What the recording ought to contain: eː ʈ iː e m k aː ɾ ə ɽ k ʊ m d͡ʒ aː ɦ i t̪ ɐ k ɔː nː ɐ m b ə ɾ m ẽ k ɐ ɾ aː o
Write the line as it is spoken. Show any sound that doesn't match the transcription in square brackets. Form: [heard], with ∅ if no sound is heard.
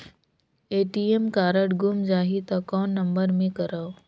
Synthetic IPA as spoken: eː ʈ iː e m k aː ɾ ə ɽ [ɡ] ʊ m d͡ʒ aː ɦ i t̪ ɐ k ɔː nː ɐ m b ə ɾ m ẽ k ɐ ɾ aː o